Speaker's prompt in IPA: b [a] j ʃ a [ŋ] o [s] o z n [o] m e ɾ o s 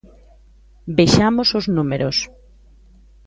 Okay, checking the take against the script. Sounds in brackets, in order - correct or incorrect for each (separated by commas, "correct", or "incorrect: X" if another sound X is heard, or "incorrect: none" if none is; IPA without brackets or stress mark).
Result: incorrect: e, incorrect: m, correct, incorrect: u